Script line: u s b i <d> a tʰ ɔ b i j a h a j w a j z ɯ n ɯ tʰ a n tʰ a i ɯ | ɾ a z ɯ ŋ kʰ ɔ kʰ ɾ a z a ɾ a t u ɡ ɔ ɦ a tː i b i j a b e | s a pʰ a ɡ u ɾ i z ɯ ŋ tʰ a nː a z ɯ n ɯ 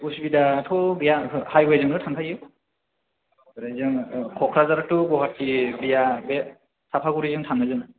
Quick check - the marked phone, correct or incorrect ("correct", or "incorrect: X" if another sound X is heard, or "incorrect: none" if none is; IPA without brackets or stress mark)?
correct